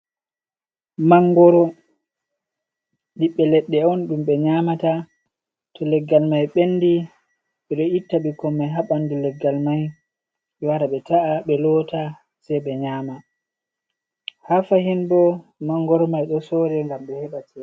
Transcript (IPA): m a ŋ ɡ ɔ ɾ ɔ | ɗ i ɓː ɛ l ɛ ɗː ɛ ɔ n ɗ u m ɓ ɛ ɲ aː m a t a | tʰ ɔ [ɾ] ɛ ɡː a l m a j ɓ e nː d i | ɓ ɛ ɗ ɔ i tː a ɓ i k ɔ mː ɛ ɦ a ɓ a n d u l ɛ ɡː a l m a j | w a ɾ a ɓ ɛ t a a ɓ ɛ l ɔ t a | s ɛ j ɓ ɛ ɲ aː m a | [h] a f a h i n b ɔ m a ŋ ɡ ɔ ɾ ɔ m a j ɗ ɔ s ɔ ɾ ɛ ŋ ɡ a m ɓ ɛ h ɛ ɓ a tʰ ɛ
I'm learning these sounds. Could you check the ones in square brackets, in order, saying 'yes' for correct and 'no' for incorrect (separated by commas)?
no, yes